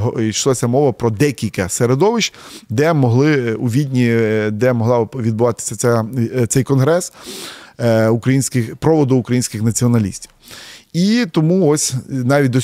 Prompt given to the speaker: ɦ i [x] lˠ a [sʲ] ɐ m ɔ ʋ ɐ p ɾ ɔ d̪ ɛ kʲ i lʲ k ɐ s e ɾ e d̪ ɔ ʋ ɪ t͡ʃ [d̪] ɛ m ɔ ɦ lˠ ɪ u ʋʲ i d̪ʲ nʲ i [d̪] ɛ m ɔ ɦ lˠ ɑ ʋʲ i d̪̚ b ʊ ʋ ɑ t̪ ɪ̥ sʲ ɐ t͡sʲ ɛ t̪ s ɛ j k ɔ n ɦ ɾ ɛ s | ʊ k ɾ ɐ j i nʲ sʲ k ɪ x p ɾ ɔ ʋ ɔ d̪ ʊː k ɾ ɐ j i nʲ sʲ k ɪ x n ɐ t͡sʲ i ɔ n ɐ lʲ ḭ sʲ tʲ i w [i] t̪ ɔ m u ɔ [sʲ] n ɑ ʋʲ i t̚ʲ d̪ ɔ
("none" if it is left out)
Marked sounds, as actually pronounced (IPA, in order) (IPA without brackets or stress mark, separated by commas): ʃ, sʲ, d̪, d̪, i, sʲ